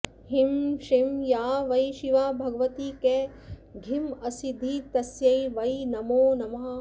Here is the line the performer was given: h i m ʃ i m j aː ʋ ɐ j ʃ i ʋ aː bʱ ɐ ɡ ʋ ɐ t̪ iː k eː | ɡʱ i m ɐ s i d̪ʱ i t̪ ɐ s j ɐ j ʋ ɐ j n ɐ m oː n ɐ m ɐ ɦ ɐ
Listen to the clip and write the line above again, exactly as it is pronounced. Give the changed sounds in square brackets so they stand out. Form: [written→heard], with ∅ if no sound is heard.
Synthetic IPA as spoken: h i m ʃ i m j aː ʋ ɐ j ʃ i ʋ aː bʱ ɐ ɡ ʋ ɐ t̪ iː k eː | ɡʱ i m ɐ s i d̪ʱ i t̪ ɐ s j ɐ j ʋ ɐ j n ɐ m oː n ɐ m ɐ ɦ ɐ